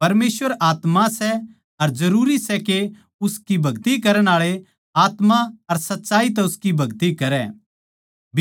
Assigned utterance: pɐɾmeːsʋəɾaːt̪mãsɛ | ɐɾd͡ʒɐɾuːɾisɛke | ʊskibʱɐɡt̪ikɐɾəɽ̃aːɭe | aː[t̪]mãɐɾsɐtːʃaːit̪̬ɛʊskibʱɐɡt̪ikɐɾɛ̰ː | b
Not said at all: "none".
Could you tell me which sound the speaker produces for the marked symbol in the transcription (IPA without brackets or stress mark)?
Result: t̪